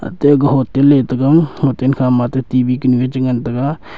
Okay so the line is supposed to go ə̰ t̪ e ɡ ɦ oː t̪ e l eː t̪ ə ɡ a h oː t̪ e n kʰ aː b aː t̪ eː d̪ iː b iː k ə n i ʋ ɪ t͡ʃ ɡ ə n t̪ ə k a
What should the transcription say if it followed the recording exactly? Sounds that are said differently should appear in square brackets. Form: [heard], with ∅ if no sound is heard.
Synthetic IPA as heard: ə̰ t̪ e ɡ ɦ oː t̪ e l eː t̪ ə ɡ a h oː t̪ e n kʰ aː [m] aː t̪ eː [t̪] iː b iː k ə n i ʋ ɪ t͡ʃ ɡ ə n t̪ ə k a